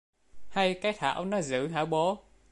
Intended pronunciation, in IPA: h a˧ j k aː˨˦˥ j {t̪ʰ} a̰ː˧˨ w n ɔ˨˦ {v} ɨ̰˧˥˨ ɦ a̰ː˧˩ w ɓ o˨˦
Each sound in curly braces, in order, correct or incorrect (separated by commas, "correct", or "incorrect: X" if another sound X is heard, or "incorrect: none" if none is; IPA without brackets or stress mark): correct, incorrect: z